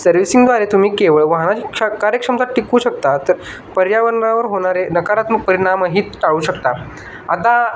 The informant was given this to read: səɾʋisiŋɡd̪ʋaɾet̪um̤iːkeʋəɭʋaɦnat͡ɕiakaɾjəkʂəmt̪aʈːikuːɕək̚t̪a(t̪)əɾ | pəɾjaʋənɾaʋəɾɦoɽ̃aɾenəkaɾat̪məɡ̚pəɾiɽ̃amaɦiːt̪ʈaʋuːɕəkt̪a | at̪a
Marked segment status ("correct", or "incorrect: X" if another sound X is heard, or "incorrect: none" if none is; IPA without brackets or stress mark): correct